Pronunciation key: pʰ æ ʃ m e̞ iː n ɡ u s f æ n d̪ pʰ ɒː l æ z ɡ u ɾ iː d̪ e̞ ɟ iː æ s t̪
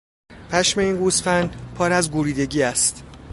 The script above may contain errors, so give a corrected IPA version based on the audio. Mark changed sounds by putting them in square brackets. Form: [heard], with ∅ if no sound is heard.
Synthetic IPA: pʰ æ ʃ m e̞ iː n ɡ u s f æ n d̪ pʰ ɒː [ɾ] æ z ɡ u ɾ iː d̪ e̞ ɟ iː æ s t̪

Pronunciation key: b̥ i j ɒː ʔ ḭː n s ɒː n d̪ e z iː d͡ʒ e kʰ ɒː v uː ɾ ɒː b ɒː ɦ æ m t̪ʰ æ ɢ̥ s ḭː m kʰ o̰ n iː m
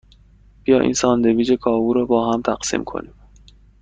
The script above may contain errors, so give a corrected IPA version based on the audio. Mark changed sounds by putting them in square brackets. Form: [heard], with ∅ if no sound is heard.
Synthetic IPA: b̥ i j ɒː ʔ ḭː n s ɒː n d̪ e [v] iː d͡ʒ e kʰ ɒː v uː ɾ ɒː b ɒː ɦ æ m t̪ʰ æ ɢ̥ s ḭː m kʰ o̰ n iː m

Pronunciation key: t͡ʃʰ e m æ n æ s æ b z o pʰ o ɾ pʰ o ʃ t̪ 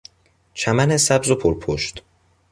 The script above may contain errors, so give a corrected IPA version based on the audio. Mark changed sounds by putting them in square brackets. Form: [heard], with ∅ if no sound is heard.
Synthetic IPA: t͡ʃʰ [æ] m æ n [e] s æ b z o pʰ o ɾ pʰ o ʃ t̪

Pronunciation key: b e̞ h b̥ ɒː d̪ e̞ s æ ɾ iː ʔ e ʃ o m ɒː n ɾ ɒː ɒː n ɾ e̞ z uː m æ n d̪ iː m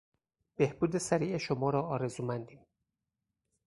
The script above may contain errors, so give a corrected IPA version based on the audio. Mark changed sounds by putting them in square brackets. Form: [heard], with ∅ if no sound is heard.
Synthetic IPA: b e̞ h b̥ [uː] d̪ e̞ s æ ɾ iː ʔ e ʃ o m ɒː [∅] ɾ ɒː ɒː [∅] ɾ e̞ z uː m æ n d̪ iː m

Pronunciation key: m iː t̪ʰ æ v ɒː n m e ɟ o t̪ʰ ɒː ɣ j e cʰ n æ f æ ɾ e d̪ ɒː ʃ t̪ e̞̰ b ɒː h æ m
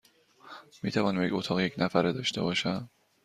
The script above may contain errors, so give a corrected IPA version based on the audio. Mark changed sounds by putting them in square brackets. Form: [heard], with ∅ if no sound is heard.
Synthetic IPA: m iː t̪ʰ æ v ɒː n m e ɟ o t̪ʰ ɒː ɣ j e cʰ n æ f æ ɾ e d̪ ɒː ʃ t̪ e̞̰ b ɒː [ʃ] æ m

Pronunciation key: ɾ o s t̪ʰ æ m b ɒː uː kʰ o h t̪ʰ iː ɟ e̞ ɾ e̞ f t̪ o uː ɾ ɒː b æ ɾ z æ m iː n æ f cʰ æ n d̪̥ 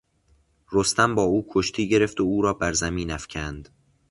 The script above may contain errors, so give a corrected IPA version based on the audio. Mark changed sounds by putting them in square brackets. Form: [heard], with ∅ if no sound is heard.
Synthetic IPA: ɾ o s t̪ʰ æ m b ɒː uː kʰ o [ʃ] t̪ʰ iː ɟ e̞ ɾ e̞ f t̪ o uː ɾ ɒː b æ ɾ z æ m iː n æ f cʰ æ n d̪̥

